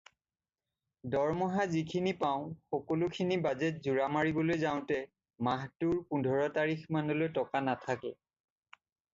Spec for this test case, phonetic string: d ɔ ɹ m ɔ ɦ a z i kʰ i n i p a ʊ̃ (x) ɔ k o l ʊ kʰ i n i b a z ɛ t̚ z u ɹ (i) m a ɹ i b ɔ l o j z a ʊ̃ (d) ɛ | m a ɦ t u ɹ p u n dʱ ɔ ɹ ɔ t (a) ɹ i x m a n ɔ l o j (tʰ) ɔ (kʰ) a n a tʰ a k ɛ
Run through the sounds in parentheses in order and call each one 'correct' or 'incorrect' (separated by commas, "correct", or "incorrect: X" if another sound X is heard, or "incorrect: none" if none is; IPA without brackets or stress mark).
correct, incorrect: a, incorrect: t, correct, incorrect: t, incorrect: k